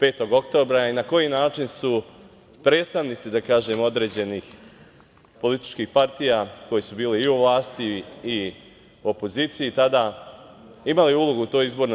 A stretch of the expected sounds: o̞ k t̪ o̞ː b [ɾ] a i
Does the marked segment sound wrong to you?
no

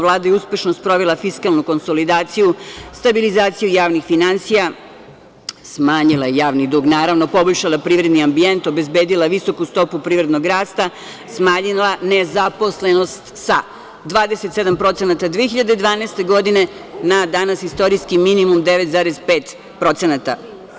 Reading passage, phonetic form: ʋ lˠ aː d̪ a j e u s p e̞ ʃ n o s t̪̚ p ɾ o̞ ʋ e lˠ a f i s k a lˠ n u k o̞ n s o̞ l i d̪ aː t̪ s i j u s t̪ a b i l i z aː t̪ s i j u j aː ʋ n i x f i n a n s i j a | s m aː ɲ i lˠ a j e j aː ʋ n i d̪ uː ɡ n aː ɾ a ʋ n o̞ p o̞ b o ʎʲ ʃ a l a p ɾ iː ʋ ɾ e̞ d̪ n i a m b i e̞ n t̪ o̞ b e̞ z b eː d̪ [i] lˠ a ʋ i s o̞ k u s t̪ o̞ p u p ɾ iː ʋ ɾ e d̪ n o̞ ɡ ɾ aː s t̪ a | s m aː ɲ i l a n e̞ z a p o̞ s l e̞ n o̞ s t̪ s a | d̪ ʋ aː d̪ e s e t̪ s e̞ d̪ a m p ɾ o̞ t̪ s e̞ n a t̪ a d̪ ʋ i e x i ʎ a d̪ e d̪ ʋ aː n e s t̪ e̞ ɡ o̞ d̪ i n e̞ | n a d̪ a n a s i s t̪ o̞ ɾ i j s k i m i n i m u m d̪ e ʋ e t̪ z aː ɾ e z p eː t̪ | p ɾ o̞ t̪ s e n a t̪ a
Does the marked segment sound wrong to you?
no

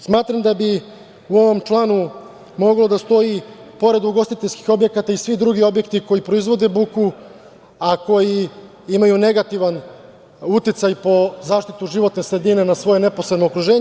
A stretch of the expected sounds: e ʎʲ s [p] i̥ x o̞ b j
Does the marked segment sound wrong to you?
yes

